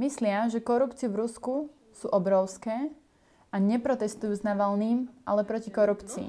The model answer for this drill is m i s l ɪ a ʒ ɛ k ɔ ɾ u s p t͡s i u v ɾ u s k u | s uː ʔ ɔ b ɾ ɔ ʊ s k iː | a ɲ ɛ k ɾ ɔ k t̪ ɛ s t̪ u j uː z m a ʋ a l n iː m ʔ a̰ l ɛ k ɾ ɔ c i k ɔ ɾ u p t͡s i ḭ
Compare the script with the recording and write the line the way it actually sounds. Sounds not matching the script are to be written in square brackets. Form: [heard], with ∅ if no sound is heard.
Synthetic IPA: m i s l ɪ a ʒ ɛ k ɔ ɾ u [∅] p t͡s i u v ɾ u s k u | s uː ʔ ɔ b ɾ ɔ ʊ s k [ɛː] | a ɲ ɛ [p] ɾ ɔ [∅] t̪ ɛ s t̪ u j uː z [n] a ʋ a l n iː m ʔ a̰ l ɛ [p] ɾ ɔ c i k ɔ ɾ u p t͡s i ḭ